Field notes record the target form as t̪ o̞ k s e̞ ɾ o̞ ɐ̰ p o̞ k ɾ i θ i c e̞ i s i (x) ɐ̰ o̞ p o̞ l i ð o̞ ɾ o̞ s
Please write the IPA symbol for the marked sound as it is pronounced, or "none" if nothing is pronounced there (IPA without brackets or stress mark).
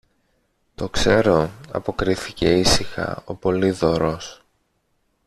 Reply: x